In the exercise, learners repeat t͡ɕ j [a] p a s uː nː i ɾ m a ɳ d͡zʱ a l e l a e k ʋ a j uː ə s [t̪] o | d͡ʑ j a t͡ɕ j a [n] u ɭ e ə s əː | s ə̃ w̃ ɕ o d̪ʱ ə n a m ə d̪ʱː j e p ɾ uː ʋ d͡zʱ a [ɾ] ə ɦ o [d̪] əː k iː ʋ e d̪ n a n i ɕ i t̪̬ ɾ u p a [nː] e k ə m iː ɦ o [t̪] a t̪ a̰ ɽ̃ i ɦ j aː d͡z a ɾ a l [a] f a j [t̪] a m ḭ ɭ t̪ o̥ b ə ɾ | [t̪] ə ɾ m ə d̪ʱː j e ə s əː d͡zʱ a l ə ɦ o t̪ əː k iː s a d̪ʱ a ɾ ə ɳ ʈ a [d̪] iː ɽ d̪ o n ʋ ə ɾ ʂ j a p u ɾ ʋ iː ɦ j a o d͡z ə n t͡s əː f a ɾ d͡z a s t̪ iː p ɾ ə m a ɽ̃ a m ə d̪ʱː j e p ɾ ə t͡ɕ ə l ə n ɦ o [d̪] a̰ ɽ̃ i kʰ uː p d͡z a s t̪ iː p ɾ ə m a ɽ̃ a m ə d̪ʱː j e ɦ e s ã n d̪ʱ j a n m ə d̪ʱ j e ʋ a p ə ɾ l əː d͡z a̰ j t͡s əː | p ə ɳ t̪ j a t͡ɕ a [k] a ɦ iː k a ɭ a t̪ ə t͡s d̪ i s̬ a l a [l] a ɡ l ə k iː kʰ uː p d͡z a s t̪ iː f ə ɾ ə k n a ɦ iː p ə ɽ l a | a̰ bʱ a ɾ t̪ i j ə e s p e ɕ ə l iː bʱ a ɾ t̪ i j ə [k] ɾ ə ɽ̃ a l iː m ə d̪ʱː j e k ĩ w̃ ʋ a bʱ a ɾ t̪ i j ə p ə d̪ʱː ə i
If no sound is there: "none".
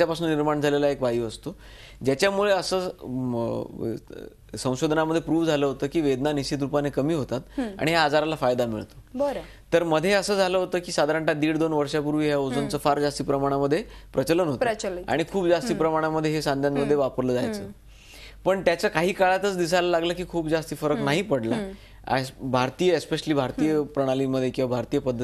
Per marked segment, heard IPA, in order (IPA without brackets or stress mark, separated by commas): a, t̪, m, l, t̪, n, t̪, a, d̪, t̪, d̪, t̪, k, l, p